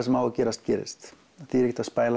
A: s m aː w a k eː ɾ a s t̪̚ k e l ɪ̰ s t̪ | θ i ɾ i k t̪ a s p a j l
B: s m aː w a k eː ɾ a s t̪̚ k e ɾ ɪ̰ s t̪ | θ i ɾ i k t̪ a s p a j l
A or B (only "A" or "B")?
B